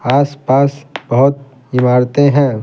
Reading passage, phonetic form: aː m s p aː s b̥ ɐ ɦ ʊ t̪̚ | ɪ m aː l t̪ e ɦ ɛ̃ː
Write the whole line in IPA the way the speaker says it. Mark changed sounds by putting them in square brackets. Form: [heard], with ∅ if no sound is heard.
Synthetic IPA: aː [∅] s p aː s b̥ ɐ ɦ ʊ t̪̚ | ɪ m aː [ɾ] t̪ e ɦ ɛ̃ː

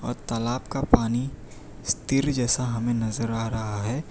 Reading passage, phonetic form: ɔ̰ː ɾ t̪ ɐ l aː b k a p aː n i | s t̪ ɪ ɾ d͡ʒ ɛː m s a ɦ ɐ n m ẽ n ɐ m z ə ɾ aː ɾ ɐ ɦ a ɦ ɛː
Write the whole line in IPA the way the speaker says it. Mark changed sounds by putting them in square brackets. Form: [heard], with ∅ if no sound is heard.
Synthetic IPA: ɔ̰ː ɾ t̪ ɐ l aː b k a p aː n i | s t̪ ɪ ɾ d͡ʒ ɛː [∅] s a ɦ ɐ [∅] m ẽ n ɐ [∅] z ə ɾ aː ɾ ɐ ɦ a ɦ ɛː

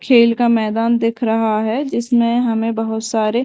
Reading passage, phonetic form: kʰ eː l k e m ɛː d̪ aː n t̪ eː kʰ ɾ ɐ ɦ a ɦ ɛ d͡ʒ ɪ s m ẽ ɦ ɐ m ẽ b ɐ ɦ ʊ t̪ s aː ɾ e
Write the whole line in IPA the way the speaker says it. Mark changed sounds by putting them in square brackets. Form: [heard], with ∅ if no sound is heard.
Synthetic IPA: kʰ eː l k [a] m ɛː d̪ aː n [d̪] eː kʰ ɾ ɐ ɦ a ɦ ɛ d͡ʒ ɪ s m ẽ ɦ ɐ m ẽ b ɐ ɦ ʊ t̪ s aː ɾ e

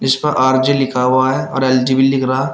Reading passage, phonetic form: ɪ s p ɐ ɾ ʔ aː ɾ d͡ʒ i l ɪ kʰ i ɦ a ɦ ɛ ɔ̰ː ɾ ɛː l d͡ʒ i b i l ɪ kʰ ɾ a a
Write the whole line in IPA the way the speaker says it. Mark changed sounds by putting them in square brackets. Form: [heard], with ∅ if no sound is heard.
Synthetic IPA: ɪ s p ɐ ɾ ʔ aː ɾ d͡ʒ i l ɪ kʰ [a] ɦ a ɦ ɛ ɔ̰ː ɾ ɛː l d͡ʒ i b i l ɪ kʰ ɾ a a

